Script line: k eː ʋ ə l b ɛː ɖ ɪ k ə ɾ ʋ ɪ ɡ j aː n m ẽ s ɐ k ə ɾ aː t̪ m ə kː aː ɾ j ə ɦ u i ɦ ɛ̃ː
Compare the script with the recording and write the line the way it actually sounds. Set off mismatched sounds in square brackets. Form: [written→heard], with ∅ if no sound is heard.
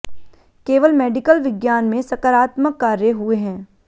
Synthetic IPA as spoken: k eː ʋ ə l [b→m] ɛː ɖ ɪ k ə [ɾ→l] ʋ ɪ ɡ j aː n m ẽ s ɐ k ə ɾ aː t̪ m ə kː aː ɾ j ə ɦ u [i→e] ɦ ɛ̃ː